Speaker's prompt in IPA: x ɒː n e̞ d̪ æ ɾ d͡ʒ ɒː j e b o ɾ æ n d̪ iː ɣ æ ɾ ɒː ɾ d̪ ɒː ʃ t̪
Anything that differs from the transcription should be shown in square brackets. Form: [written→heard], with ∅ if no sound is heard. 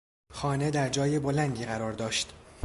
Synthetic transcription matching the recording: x ɒː n e̞ d̪ æ ɾ d͡ʒ ɒː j e b o [ɾ→l] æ n d̪ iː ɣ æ ɾ ɒː ɾ d̪ ɒː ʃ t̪

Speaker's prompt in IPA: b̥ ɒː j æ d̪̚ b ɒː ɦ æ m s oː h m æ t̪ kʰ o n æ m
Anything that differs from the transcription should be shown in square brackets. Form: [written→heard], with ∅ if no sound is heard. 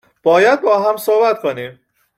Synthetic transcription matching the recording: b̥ ɒː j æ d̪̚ b ɒː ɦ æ m s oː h [m→b] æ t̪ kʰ o n [æ→i] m

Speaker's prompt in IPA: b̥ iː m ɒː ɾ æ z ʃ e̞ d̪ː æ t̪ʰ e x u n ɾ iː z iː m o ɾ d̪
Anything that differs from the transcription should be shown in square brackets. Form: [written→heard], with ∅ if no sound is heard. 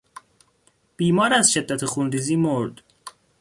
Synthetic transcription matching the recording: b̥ iː m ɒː ɾ æ z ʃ e̞ d̪ː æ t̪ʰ e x u n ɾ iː z iː m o ɾ d̪

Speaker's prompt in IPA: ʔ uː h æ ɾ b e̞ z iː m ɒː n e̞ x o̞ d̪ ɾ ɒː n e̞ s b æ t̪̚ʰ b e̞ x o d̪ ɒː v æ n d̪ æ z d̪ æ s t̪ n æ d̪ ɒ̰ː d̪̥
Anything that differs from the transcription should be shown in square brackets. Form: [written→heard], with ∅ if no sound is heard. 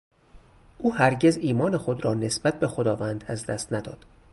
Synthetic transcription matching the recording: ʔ uː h æ ɾ [b→ɟ] e̞ z iː m ɒː n e̞ x o̞ d̪ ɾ ɒː n e̞ s b æ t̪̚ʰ b e̞ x o d̪ ɒː v æ n d̪ æ z d̪ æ s t̪ n æ d̪ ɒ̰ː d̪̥

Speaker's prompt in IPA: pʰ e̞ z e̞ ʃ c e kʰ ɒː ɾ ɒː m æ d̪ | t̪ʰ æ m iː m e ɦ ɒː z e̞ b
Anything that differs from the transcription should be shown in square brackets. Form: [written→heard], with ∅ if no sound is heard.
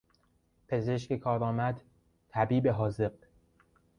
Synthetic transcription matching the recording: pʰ e̞ z e̞ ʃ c e kʰ ɒː ɾ ɒː m æ d̪ | t̪ʰ æ [m→b] iː [m→b] e ɦ ɒː z e̞ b

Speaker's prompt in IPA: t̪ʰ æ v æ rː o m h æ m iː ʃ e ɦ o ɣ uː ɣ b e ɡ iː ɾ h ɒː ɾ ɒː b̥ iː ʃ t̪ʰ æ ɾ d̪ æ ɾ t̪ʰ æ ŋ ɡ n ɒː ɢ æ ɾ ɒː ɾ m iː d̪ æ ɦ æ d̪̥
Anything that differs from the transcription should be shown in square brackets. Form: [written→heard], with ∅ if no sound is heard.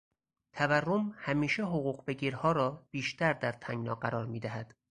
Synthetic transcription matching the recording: t̪ʰ æ v æ rː o m h æ m iː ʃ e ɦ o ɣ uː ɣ b e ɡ iː ɾ h ɒː ɾ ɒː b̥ iː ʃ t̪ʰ æ ɾ d̪ æ ɾ t̪ʰ æ ŋ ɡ n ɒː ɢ æ ɾ ɒː ɾ m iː d̪ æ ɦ æ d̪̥

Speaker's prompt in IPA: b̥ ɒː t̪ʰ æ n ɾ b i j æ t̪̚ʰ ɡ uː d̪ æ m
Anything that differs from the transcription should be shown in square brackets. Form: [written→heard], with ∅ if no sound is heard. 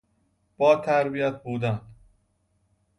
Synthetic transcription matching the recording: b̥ ɒː t̪ʰ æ [n→∅] ɾ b i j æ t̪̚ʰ [ɡ→b] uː d̪ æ [m→n]

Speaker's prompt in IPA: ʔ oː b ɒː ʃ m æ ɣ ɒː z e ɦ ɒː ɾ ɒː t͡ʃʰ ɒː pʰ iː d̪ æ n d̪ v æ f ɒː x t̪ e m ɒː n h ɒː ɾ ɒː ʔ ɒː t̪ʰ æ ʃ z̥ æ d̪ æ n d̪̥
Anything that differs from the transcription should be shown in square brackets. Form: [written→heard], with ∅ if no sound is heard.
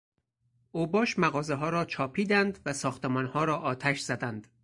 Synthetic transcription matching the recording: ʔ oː b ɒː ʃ m æ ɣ ɒː z e ɦ ɒː ɾ ɒː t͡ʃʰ ɒː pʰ iː d̪ æ n d̪ v æ [f→s] ɒː x t̪ e m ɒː n h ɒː ɾ ɒː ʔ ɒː t̪ʰ æ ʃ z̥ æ d̪ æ n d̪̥

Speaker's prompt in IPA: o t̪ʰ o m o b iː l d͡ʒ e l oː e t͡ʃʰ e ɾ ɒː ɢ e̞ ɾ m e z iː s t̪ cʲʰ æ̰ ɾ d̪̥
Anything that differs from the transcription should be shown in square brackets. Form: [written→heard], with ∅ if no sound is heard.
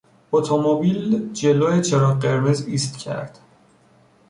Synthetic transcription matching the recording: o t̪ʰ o m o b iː l d͡ʒ e l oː e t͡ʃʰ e ɾ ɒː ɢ e̞ ɾ m e z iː s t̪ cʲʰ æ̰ ɾ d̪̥

